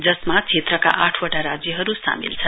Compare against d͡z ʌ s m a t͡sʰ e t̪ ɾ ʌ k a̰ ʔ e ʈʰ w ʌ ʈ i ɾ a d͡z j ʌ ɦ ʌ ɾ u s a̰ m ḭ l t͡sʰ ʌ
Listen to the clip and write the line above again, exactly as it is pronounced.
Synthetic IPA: d͡z ʌ s m a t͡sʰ e t̪ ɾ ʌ k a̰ ʔ a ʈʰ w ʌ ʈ a ɾ a d͡z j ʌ ɦ ʌ ɾ u s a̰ m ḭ l t͡sʰ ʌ